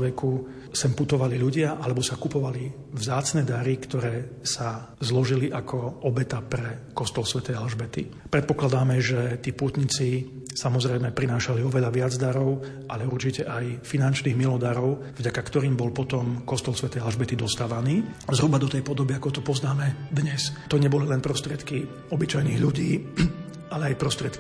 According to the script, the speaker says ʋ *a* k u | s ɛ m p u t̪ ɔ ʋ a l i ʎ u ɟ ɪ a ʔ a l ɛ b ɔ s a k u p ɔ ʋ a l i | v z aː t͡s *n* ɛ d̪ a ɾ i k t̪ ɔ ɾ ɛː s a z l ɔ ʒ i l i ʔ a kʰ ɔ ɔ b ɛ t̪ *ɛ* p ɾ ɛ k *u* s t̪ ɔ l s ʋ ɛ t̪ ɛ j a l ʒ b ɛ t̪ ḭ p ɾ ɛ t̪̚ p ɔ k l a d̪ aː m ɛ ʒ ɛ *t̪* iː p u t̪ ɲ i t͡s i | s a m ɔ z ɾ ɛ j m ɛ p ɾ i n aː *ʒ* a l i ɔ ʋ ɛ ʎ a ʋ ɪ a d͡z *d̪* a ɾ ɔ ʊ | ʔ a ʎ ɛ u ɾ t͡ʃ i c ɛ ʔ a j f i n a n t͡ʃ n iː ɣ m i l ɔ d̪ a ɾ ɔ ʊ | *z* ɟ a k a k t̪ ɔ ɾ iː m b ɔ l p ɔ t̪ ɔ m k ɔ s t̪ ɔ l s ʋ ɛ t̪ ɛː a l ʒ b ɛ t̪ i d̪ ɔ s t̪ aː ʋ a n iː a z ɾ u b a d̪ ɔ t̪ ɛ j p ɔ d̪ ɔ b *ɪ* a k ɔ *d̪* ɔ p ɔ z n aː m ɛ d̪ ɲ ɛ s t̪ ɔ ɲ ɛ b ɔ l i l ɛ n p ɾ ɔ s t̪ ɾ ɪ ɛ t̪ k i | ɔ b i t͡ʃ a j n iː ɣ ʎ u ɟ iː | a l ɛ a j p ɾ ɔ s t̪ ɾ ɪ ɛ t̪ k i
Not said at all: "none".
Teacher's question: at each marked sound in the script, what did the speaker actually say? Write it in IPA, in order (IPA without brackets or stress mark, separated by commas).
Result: ɛ, n, a, ɔ, t̪, ʃ, d̪, v, i, t̪